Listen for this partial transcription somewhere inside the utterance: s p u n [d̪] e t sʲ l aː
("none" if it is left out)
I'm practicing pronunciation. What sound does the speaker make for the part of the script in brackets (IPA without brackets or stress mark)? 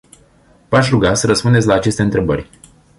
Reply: d̪